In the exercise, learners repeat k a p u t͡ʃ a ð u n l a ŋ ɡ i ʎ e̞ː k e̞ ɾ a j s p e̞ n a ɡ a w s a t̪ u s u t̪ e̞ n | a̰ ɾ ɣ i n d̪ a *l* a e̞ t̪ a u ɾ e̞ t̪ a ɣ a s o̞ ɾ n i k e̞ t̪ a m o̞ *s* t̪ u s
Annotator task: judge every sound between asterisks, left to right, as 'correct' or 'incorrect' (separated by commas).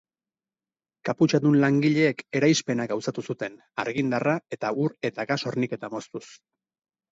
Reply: incorrect, correct